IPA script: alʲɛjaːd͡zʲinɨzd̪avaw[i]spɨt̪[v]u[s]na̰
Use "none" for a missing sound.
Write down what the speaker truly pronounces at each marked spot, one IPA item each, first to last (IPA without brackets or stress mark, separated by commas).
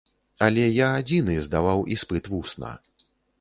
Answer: i, v, s